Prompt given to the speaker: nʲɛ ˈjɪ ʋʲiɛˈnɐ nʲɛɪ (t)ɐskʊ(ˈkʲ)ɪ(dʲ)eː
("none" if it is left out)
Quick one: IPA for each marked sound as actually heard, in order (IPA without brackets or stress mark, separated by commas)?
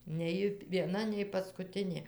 p, tʲ, nʲ